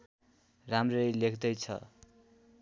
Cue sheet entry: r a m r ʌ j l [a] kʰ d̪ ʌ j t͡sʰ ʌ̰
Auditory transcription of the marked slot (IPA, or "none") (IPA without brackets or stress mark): e